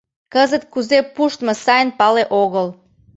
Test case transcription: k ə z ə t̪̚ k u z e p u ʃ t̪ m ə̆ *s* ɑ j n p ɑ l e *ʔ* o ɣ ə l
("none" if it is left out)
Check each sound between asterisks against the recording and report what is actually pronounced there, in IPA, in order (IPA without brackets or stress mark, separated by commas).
s, ʔ